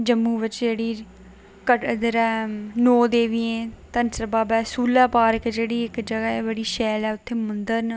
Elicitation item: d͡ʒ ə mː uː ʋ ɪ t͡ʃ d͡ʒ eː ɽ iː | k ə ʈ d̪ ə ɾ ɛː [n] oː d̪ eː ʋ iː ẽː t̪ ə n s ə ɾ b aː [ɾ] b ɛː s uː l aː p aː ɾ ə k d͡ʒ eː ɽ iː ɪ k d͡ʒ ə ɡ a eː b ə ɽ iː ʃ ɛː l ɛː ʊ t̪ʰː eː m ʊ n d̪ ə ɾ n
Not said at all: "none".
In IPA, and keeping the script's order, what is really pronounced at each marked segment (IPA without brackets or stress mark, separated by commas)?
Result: n, none